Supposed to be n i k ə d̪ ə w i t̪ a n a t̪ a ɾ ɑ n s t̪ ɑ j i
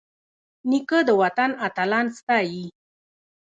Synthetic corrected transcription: n i k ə d̪ ə w a t̪ a n a t̪ a l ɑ n s t̪ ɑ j i

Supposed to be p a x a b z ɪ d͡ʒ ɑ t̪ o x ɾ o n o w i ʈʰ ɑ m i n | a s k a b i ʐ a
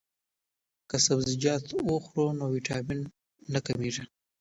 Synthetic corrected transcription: k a s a b z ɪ d͡ʒ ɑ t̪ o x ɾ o n o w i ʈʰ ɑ m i nː | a k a m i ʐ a

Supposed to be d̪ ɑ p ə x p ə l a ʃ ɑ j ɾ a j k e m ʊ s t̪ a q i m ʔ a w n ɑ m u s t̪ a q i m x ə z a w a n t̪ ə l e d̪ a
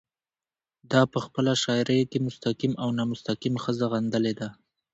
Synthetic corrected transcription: d̪ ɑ p ə x p ə l a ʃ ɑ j ɾ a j k e m ʊ s t̪ a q i m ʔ a w n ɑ m ʊ s t̪ a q i m x ə z a ɣ a n d̪ ə l e d̪ a

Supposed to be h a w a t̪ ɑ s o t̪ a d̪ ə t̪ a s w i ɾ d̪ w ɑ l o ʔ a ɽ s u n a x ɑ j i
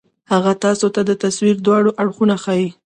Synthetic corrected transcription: h a ɣ a t̪ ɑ s o t̪ a d̪ ə t̪ a s w i ɾ d̪ w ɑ ɽ o ʔ a ɽ x u n a x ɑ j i

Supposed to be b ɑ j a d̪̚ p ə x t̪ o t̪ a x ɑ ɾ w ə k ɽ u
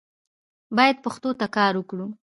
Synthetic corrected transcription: b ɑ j a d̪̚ p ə x t̪ o t̪ a k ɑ ɾ w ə k ɽ u

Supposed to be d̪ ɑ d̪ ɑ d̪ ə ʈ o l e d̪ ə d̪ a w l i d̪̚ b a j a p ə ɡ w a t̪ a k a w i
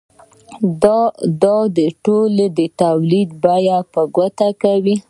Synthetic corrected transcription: d̪ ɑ d̪ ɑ d̪ ə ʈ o l e d̪ ə t̪ a w l i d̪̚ b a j a p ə ɡ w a t̪ a k a w i

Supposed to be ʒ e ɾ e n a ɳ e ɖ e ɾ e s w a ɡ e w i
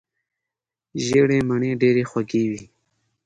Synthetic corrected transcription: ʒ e ɽ e m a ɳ e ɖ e ɾ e x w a ɡ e w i

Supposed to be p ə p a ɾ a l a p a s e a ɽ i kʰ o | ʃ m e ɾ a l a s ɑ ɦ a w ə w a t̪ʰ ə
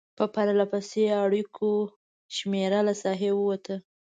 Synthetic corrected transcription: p ə p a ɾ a l a p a s e a ɽ i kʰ o | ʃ m e ɾ a l a s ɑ ɦ e w ə w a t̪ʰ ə

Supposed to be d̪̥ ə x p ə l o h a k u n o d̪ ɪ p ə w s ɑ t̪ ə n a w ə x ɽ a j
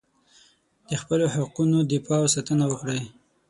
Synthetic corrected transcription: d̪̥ ə x p ə l o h a q u n o d̪ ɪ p ɑ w s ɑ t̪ ə n a w ə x ɽ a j

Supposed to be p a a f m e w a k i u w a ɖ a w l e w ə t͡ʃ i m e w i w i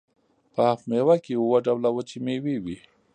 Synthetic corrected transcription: p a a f m e w a k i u w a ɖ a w l a w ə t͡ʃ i m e w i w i

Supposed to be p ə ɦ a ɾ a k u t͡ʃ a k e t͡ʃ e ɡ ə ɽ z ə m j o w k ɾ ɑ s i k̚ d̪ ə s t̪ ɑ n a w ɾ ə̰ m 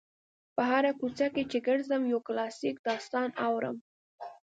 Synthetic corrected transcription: p ə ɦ a ɾ a k u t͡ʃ a k e t͡ʃ e ɡ ə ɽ z ə m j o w k l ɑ s i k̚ d̪ ɑ s t̪ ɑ n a w ɾ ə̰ m

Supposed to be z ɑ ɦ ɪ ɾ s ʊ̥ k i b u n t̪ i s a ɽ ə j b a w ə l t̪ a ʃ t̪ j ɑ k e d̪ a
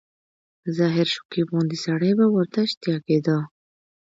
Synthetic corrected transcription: z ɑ ɦ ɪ ɾ ʃ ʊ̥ k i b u n d̪ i s a ɽ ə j b a w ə ɾ t̪ a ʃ t̪ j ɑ k e d̪ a

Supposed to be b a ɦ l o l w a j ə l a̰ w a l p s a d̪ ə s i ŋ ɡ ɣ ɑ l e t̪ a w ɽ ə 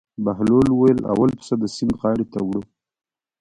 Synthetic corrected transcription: b a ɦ l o l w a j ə l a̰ w a l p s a d̪ ə s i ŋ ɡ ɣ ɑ ɽ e t̪ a w ɽ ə

